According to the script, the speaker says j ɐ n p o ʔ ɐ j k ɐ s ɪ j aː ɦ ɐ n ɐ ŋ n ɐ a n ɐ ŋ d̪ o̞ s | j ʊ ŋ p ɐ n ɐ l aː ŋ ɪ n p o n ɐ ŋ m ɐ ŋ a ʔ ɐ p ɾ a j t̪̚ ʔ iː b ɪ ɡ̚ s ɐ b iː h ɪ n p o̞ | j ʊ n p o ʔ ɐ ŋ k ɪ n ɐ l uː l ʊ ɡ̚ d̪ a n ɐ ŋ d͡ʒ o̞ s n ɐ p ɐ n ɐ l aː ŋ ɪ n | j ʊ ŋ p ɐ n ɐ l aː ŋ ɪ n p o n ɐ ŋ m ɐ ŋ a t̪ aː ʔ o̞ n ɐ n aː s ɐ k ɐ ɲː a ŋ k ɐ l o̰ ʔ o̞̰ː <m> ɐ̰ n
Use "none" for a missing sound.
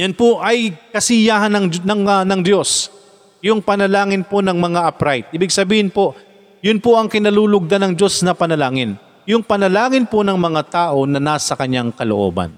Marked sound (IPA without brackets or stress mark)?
b